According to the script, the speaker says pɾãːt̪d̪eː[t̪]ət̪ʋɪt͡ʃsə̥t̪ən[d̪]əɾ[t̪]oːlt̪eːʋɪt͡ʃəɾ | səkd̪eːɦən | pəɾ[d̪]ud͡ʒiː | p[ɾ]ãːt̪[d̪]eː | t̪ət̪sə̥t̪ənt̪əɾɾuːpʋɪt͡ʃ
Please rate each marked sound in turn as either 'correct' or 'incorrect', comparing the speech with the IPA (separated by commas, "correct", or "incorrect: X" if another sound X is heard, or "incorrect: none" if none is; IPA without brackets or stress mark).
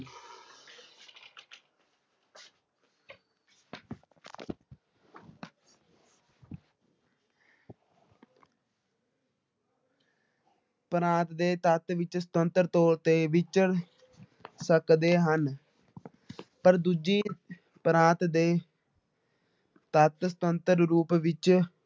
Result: correct, incorrect: t̪, correct, correct, correct, correct